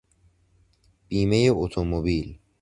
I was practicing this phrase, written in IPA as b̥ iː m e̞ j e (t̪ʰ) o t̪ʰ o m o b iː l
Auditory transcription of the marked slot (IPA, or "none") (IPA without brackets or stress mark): none